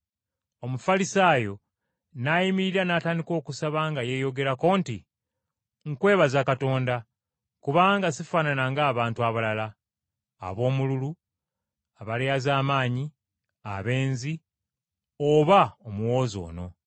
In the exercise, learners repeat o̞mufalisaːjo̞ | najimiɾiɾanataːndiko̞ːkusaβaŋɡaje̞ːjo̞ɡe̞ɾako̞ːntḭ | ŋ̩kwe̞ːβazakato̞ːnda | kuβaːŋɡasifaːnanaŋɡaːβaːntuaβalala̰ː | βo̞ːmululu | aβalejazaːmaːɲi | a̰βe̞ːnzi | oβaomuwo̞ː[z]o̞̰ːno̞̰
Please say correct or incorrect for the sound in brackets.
correct